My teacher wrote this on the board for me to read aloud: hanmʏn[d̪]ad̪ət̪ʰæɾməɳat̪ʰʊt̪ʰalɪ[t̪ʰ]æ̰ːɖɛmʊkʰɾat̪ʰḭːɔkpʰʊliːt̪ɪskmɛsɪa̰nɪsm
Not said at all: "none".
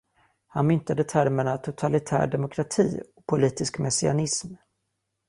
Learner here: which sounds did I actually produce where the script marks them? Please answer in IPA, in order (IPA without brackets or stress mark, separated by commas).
t̪, t̪ʰ